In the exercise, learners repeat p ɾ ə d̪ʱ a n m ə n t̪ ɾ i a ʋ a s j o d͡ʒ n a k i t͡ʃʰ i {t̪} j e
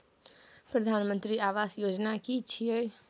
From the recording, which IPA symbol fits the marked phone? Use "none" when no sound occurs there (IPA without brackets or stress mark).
none